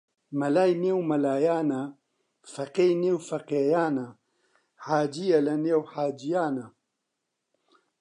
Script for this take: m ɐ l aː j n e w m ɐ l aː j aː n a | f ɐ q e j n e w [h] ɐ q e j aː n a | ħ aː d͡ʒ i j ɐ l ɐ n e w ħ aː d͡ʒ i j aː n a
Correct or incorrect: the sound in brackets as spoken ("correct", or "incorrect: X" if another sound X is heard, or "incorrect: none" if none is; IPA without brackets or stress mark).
incorrect: f